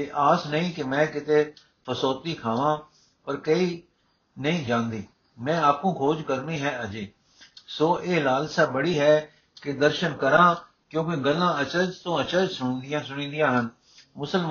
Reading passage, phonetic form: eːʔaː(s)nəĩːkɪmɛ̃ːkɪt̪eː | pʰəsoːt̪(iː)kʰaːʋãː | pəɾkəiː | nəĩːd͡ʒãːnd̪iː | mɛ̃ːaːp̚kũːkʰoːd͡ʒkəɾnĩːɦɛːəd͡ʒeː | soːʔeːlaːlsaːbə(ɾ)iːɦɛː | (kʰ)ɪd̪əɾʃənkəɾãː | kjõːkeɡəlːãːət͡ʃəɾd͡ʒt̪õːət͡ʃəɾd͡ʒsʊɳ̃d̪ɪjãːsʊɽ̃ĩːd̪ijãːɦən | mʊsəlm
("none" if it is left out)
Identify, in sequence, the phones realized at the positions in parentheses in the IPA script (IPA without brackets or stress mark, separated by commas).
s, iː, ɽ, k